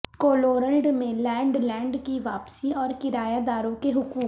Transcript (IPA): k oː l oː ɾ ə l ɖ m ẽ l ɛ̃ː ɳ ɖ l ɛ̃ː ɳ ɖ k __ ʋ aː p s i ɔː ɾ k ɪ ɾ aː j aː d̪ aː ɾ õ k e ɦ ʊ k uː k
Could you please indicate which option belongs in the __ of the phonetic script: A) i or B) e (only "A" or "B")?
A